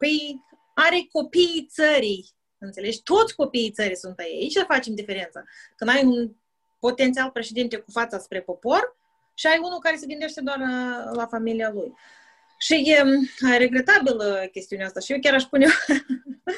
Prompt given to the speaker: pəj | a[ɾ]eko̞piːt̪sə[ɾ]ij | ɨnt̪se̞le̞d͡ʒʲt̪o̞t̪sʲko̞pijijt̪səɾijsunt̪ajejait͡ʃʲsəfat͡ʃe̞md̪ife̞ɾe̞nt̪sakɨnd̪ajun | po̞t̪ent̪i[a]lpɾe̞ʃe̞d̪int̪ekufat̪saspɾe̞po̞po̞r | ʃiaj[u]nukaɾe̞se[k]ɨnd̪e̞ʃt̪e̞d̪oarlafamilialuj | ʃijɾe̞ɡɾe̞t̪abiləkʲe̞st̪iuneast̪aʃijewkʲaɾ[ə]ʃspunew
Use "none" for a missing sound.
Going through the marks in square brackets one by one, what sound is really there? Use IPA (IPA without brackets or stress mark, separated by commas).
ɾ, ɾ, a, u, ɡ, a